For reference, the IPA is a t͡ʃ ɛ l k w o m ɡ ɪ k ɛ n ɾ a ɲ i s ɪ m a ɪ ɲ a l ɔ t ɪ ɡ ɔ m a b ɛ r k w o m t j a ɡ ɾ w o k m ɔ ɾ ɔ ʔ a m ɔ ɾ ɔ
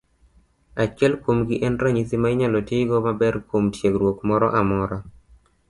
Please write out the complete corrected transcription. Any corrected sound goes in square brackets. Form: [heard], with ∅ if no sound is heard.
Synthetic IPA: a t͡ʃ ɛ l k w o m ɡ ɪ [ʔ] ɛ n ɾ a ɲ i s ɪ m a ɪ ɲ a l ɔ t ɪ ɡ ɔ m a b ɛ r k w o m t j [e] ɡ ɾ w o k m ɔ ɾ ɔ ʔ a m ɔ ɾ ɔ